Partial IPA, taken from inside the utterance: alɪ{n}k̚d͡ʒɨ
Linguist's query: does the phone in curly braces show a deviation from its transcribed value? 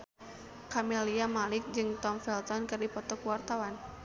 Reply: yes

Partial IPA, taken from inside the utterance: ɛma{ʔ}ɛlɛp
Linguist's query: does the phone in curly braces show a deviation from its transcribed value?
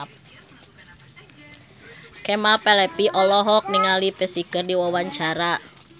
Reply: yes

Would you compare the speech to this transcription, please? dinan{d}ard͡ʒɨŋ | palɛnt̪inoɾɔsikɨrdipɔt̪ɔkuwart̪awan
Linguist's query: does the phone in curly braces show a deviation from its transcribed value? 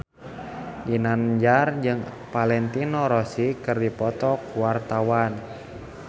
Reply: yes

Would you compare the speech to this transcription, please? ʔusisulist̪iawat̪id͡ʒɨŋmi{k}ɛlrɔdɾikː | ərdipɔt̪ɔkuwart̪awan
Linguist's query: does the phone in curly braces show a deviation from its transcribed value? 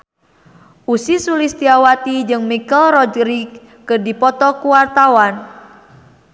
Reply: no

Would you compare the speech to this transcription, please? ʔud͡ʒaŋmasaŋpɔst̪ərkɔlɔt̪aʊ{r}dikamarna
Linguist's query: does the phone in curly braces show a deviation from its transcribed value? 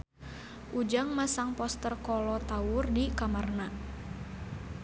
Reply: no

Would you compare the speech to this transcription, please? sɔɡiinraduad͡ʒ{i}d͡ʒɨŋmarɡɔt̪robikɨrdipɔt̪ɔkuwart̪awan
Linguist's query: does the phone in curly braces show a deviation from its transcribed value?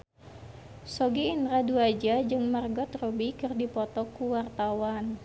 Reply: yes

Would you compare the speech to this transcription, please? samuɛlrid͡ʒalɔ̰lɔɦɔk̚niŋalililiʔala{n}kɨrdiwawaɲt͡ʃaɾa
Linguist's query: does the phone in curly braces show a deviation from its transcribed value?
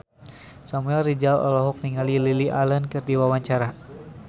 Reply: no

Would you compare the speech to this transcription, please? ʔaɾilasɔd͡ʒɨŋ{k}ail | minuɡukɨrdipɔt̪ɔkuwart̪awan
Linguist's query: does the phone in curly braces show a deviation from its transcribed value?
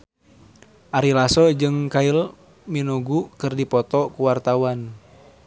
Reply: no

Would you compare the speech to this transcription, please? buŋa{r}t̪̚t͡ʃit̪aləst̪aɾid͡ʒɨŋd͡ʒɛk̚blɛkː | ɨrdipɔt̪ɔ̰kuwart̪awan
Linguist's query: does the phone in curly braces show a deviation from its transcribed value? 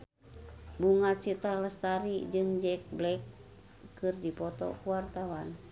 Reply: yes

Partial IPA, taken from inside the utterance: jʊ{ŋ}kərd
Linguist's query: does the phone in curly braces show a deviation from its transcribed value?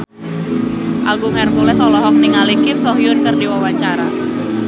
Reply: yes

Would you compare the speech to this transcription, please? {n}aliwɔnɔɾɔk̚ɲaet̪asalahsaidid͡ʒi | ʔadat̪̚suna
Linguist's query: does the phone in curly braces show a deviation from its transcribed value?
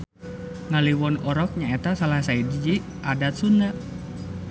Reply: yes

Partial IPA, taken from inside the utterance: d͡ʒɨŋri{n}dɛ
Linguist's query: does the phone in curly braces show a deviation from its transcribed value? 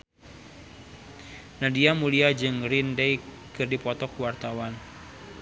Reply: no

